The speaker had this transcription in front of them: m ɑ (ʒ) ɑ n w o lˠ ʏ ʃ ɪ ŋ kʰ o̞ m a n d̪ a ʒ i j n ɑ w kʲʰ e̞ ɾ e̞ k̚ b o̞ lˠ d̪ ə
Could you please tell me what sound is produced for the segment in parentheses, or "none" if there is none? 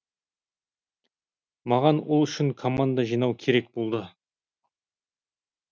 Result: ʁ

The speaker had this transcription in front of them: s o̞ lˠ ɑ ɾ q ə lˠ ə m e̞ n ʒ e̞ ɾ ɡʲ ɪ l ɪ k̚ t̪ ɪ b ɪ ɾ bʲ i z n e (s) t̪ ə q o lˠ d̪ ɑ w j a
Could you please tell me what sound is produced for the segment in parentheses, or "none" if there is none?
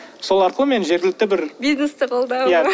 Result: s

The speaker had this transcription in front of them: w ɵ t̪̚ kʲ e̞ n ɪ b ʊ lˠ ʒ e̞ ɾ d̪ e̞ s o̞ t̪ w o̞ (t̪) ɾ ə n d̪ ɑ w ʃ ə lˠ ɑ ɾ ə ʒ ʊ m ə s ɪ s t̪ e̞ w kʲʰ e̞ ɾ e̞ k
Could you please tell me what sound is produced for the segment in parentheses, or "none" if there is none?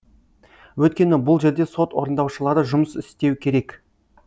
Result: none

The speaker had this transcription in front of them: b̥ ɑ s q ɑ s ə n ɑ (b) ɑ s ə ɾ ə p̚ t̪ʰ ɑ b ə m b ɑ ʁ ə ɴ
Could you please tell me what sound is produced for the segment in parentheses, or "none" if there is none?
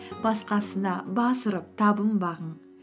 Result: b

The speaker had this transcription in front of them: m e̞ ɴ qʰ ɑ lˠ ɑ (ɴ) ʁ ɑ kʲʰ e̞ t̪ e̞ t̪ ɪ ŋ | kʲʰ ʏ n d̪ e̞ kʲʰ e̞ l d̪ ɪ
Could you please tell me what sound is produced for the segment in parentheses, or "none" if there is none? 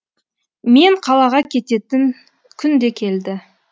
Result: none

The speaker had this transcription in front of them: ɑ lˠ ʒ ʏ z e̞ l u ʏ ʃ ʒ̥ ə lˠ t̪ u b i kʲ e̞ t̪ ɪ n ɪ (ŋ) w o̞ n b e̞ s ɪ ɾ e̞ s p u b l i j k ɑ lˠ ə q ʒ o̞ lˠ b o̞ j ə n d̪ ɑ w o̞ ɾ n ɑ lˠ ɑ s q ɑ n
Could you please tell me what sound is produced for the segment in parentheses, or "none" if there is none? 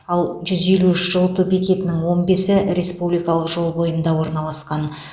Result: ŋ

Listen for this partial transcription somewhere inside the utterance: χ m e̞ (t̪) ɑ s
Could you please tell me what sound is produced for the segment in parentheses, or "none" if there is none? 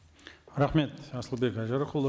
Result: t̪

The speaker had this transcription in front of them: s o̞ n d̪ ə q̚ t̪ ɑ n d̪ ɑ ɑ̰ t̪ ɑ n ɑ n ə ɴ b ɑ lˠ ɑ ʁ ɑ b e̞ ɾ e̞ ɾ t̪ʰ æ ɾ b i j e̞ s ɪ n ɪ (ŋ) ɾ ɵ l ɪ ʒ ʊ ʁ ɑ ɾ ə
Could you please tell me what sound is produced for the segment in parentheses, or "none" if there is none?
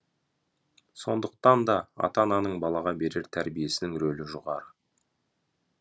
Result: ŋ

